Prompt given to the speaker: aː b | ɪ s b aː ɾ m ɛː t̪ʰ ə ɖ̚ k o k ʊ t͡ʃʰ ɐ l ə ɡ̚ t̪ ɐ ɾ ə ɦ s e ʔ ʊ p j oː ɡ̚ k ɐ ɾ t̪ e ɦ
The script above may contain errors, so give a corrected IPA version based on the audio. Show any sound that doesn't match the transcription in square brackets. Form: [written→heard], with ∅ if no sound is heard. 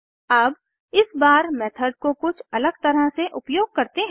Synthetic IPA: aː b | ɪ s b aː ɾ m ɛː t̪ʰ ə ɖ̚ k o k ʊ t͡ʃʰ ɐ l ə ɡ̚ t̪ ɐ ɾ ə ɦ s e ʔ ʊ p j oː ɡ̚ k ɐ ɾ t̪ e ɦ